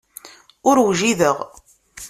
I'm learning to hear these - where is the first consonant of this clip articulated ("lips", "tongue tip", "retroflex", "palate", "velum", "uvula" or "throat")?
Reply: tongue tip